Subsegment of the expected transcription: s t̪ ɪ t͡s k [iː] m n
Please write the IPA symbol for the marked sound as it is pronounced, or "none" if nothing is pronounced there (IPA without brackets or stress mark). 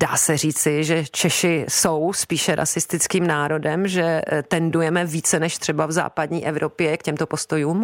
iː